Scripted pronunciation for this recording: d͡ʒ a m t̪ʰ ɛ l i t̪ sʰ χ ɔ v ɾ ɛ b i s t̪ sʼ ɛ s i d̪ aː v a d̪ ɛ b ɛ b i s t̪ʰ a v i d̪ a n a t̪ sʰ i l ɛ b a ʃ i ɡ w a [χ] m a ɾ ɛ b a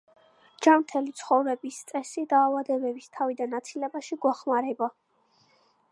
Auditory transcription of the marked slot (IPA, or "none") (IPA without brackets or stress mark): χ